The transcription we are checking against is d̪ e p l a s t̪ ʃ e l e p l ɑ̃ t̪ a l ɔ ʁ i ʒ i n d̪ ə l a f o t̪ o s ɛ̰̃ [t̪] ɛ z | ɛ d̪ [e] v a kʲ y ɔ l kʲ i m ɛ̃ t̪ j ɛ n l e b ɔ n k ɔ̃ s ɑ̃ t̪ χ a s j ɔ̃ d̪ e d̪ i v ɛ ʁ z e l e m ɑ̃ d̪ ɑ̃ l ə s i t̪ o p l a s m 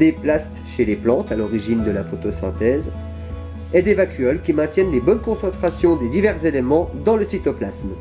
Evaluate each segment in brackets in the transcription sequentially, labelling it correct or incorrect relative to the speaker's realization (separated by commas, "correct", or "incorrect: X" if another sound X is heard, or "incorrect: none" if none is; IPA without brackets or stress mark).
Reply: correct, correct